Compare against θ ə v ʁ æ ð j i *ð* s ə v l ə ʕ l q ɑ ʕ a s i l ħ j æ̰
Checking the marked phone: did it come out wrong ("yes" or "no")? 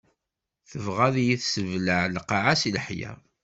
yes